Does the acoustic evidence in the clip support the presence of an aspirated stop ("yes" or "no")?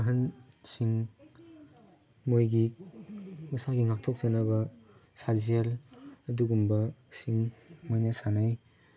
yes